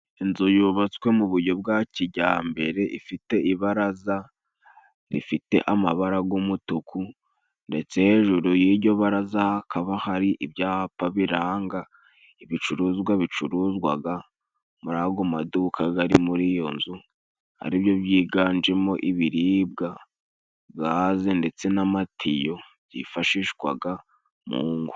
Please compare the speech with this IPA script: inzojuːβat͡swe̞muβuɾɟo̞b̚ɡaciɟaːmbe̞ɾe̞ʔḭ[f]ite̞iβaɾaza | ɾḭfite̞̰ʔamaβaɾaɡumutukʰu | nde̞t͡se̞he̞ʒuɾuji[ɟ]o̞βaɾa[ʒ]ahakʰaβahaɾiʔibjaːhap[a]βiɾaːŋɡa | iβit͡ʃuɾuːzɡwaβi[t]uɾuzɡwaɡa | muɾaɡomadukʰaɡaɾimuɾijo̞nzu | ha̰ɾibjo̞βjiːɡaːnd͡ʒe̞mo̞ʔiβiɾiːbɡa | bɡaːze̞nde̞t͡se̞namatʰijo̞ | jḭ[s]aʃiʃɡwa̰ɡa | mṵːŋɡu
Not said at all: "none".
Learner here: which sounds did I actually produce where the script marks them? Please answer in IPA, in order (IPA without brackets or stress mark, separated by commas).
f, ɟ, z, a, t͡ʃ, f